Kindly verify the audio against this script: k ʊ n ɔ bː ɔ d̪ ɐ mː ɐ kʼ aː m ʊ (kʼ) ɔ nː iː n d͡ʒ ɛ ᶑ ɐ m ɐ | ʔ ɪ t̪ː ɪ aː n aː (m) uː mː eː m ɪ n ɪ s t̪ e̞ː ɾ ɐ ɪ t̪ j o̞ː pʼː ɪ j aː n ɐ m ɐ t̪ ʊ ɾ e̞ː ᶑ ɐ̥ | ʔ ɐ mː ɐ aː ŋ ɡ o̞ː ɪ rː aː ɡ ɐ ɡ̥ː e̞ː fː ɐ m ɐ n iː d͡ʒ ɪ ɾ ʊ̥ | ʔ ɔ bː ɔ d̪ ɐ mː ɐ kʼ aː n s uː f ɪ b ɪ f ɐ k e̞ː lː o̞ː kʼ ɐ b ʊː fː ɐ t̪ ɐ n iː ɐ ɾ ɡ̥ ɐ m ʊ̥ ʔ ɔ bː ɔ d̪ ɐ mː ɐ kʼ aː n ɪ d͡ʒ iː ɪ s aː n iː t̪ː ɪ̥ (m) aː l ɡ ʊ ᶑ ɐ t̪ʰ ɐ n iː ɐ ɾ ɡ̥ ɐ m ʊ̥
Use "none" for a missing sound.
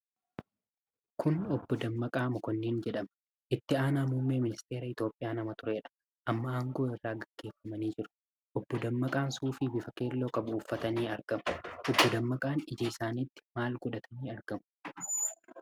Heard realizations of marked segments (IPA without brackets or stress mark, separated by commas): k, m, m